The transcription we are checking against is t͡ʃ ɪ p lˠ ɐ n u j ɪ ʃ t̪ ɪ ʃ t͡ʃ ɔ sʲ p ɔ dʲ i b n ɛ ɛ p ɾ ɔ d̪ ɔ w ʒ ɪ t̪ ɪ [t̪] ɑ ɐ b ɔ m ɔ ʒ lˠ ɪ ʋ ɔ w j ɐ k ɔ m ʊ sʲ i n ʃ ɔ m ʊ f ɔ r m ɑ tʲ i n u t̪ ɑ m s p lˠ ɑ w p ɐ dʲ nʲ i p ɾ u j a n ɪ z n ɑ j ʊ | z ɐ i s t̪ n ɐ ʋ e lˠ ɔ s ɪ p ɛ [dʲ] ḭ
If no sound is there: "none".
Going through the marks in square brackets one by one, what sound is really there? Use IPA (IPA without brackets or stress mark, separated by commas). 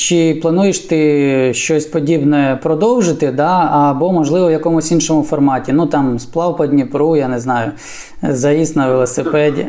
d̪, dʲ